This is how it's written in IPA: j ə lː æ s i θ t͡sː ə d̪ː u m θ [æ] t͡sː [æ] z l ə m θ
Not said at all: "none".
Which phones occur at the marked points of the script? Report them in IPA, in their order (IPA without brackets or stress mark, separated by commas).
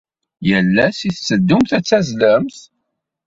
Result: æ, æ